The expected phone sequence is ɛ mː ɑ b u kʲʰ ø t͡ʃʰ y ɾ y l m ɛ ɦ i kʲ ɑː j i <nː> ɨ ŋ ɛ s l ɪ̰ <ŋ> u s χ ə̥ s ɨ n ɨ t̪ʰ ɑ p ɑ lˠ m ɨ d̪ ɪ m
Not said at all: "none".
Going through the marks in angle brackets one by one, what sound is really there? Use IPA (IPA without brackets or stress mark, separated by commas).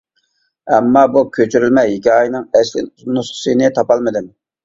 n, n